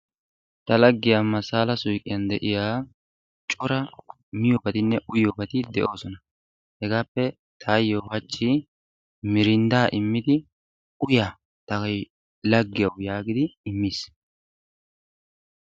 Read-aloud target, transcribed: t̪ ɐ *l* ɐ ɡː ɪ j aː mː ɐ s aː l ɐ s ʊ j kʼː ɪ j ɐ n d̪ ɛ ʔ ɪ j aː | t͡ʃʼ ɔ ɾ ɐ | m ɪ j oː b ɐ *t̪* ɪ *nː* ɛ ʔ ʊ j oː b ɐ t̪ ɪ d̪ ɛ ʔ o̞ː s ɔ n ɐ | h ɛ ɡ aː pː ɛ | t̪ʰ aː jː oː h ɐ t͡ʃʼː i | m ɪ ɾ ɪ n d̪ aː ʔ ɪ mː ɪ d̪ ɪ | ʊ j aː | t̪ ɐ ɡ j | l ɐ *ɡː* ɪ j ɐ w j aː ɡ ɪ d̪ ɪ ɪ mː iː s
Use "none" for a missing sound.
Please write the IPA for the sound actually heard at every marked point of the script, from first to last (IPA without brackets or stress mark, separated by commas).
l, t̪, nː, ɡː